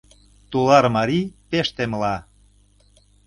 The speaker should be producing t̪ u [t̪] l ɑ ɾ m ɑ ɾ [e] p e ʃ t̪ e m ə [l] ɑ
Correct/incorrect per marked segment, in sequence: incorrect: none, incorrect: i, correct

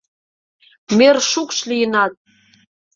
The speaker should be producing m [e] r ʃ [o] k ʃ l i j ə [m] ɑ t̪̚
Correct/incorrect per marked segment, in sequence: correct, incorrect: u, incorrect: n

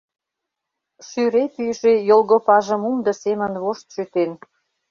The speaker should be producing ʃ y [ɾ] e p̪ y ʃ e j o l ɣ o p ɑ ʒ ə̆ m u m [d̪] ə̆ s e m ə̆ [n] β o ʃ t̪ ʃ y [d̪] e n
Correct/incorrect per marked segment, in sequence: correct, correct, correct, incorrect: t̪

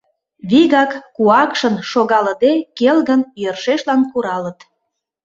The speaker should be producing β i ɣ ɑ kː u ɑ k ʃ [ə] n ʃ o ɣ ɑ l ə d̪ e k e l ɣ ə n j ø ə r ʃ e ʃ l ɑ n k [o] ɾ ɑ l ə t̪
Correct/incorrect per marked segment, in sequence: correct, incorrect: u

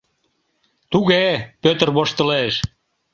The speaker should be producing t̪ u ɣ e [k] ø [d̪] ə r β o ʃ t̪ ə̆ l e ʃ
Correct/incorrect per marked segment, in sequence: incorrect: p, incorrect: t̪

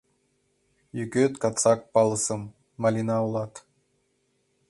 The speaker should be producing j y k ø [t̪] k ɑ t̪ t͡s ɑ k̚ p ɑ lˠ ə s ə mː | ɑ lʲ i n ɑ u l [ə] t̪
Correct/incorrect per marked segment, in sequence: correct, incorrect: ɑ

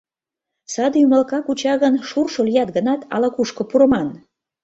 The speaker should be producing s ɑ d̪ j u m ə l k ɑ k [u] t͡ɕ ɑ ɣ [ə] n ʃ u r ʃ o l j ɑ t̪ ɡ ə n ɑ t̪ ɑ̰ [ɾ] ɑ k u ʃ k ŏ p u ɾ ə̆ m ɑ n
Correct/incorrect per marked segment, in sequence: correct, correct, incorrect: l

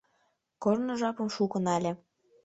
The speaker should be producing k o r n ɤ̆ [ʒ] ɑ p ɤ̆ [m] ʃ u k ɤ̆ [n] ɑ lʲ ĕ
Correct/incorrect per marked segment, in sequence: correct, correct, correct

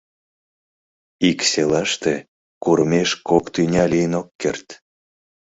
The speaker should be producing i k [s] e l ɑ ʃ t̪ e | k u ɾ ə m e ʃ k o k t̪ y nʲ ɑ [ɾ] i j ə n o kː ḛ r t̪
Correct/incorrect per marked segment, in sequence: correct, incorrect: l

